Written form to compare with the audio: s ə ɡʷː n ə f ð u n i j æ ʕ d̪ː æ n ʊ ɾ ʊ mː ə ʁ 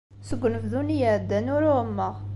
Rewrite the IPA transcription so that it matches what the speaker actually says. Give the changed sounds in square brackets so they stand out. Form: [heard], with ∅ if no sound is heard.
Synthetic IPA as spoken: s ə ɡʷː n ə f ð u n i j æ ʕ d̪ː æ n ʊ ɾ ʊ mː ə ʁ

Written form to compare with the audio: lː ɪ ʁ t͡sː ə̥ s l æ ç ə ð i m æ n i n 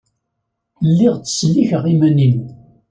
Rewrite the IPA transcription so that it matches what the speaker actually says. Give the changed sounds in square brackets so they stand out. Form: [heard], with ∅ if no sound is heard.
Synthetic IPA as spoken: lː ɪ ʁ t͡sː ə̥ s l [i] ç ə [ʁ] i m æ n i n

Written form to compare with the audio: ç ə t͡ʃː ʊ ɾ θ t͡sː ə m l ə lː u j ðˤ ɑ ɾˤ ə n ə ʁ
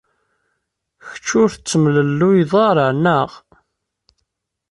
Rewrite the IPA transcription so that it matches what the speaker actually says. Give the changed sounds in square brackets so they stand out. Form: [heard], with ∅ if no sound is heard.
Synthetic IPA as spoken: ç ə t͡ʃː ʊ ɾ θ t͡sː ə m l ə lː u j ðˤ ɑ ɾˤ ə n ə ʁ

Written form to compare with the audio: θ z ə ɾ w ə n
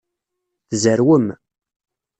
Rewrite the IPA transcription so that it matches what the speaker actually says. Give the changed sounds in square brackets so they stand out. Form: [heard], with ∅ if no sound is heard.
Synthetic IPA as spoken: θ z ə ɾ w ə [m]

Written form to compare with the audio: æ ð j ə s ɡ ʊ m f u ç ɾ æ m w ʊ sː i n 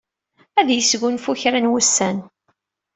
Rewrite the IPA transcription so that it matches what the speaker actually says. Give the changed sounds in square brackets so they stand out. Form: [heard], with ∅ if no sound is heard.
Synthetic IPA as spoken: æ ð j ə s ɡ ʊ [n] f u ç ɾ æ [n] w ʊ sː [æ] n

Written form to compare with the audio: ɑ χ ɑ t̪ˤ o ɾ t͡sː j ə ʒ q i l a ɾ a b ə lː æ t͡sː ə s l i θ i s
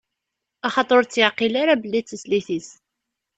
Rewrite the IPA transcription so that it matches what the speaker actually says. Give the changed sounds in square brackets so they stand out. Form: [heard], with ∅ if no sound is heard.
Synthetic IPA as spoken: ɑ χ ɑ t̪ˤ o ɾ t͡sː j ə [ʕ] q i l a ɾ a b ə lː [i] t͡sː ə s l i θ i s

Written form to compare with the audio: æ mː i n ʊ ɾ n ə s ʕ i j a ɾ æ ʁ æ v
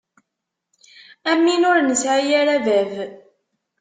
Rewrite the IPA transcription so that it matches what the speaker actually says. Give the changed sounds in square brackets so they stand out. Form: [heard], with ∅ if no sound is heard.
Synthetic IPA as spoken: æ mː i n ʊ ɾ n ə s ʕ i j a ɾ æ [v] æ v

